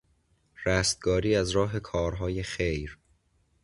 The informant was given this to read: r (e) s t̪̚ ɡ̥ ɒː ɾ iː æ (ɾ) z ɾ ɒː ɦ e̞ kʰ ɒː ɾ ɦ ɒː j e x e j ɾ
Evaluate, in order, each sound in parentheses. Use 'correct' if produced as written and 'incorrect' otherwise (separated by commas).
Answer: incorrect, incorrect